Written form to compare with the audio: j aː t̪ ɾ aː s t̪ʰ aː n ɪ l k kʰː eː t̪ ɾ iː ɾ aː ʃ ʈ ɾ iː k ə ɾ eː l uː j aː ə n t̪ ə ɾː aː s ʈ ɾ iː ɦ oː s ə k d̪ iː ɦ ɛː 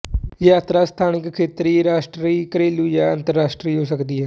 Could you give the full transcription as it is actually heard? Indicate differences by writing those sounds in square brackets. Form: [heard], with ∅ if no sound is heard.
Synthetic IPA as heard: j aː t̪ ɾ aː s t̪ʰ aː n ɪ [∅] k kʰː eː t̪ ɾ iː ɾ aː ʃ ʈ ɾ iː k ə ɾ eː l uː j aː ə n t̪ ə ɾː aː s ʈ ɾ iː ɦ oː s ə k d̪ iː ɦ ɛː